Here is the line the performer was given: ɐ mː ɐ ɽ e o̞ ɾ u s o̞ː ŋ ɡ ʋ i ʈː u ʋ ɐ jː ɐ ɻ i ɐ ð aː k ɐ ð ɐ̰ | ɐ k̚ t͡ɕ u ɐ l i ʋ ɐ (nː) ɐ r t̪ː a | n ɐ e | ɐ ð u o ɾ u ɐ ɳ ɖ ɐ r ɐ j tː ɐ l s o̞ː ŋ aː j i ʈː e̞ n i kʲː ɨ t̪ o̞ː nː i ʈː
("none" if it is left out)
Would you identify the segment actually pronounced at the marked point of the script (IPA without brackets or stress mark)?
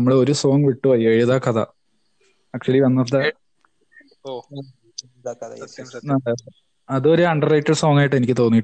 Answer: nː